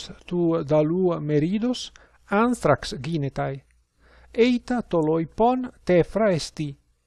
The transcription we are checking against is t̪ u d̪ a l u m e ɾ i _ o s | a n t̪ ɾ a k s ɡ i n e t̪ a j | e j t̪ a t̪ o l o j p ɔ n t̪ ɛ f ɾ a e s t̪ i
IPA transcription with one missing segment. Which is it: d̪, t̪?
d̪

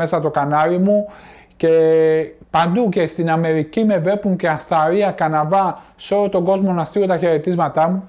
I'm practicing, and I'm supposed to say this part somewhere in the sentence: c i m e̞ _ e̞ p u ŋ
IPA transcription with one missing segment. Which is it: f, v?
v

